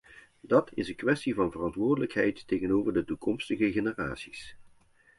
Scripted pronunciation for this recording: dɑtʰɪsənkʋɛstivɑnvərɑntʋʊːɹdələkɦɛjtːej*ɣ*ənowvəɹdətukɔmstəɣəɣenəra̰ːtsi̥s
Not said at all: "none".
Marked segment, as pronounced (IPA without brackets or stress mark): ɣ